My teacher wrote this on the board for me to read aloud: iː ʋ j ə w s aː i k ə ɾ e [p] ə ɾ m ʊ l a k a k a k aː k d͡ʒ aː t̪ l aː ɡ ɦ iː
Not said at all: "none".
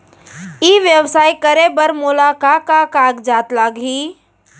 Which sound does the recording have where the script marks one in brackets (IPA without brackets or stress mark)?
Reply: b